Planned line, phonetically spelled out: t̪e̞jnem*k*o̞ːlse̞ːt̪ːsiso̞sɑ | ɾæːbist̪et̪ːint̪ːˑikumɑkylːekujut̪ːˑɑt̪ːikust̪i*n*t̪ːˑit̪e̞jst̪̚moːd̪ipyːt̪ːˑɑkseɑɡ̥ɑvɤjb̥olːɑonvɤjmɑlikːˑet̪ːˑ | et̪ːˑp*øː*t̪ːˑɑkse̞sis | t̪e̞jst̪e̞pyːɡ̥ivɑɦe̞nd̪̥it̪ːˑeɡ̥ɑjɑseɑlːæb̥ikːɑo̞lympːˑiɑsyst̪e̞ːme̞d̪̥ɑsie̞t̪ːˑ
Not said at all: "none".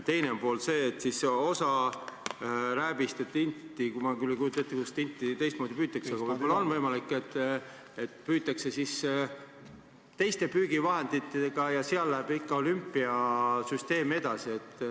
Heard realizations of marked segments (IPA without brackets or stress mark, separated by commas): p, n, yː